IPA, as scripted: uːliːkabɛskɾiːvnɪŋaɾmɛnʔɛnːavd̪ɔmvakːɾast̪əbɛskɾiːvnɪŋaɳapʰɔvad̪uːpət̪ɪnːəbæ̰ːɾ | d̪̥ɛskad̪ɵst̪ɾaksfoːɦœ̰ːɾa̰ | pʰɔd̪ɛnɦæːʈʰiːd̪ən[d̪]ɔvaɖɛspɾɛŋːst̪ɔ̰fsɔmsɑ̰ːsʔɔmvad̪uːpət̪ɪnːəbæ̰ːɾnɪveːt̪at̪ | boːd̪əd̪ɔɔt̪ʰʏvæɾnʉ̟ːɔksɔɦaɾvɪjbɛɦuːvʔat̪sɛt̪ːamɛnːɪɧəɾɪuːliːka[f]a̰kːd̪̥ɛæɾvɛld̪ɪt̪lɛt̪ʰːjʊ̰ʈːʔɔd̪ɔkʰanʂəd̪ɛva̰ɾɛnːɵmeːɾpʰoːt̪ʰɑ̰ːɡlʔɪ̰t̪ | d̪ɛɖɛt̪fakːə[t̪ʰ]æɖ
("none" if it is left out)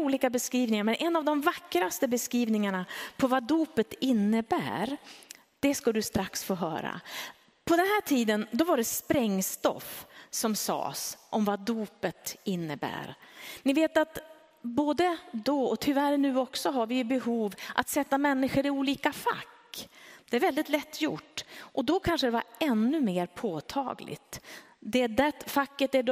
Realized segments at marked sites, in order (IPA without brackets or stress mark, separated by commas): d̪, f, t̪